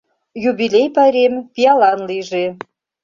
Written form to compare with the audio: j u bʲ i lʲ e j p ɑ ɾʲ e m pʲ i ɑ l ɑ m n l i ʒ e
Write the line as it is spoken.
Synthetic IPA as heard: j u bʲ i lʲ e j p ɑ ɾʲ e m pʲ i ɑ l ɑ n l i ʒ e